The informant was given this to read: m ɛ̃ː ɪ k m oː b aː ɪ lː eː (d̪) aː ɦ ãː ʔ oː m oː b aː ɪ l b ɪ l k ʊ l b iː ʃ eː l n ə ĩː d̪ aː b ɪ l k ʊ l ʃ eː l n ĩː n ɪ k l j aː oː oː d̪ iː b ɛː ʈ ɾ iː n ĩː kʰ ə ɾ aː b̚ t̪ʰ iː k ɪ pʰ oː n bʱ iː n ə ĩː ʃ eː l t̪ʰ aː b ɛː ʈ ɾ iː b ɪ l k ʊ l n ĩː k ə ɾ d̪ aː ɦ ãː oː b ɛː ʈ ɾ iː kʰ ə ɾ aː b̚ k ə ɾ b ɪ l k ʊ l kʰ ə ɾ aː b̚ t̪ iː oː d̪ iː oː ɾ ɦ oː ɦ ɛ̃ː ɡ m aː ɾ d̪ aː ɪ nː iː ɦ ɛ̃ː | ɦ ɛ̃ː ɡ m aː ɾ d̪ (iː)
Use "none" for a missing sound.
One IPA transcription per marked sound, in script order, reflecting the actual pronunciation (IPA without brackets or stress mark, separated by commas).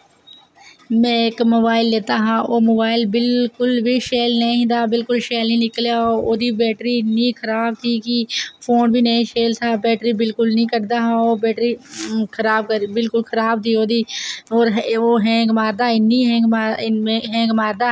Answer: t̪, aː